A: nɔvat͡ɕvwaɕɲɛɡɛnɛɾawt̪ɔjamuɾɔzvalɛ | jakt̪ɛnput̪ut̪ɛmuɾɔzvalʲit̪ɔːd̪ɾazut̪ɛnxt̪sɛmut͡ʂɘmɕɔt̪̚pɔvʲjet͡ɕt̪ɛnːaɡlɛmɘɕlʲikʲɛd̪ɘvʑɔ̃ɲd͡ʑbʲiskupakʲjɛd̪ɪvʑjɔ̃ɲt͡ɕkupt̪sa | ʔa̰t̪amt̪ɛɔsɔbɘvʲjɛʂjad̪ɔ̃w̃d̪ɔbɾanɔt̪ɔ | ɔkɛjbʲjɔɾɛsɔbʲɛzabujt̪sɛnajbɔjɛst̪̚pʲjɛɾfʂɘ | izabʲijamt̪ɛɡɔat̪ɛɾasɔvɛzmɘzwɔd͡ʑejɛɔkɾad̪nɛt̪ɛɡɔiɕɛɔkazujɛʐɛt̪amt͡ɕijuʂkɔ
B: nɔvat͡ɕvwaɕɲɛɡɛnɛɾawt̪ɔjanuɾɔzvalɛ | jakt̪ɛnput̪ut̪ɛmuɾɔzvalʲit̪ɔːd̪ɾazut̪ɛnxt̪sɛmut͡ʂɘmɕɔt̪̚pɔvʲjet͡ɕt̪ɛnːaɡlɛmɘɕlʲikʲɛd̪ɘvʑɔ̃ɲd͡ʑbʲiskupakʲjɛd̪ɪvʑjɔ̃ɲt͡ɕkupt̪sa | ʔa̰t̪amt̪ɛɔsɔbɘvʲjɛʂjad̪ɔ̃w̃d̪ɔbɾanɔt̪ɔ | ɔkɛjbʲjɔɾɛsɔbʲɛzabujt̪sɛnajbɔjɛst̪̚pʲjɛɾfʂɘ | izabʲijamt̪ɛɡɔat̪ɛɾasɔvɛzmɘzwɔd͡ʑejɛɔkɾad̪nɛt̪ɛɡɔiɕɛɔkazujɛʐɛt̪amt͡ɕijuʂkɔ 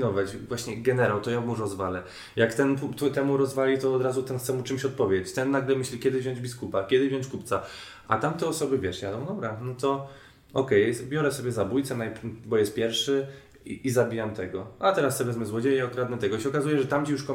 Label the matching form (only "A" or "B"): A